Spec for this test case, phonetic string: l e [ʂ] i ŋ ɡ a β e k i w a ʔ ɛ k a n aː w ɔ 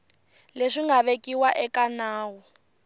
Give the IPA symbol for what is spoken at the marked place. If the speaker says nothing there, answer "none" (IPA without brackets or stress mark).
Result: ʂ